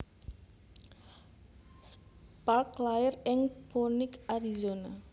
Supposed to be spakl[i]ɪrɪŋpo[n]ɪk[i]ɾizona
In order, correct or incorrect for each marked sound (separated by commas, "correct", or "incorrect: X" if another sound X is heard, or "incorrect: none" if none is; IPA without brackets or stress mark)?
incorrect: a, correct, incorrect: a